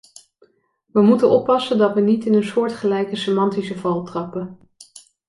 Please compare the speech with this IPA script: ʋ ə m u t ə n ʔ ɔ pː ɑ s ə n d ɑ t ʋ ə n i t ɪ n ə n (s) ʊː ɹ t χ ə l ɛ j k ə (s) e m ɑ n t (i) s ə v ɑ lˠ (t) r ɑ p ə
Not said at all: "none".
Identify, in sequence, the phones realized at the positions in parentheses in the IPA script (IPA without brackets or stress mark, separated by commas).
s, s, i, t